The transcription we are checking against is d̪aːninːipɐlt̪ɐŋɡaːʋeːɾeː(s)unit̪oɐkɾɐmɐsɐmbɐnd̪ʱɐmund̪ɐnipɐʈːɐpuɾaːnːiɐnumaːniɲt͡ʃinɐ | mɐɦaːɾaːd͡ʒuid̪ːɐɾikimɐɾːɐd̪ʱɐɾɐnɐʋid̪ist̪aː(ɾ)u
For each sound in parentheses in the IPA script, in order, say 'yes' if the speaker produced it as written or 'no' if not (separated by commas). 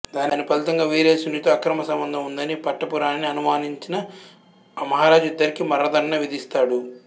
yes, no